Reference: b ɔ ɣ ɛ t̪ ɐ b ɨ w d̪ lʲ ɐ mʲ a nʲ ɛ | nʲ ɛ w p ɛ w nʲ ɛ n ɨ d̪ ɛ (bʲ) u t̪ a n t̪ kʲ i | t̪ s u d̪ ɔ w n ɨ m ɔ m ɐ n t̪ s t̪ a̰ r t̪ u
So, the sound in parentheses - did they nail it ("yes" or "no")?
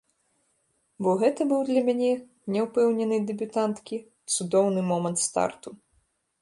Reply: yes